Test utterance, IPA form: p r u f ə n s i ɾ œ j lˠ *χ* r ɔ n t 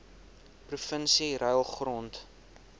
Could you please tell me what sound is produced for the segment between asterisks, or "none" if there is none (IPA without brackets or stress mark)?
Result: χ